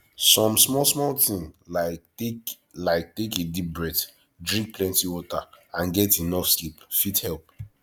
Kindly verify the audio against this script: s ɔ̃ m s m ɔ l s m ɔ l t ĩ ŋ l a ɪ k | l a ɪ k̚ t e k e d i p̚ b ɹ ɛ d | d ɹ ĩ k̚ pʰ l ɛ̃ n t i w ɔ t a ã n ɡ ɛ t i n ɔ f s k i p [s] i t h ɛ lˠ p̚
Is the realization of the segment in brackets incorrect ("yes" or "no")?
yes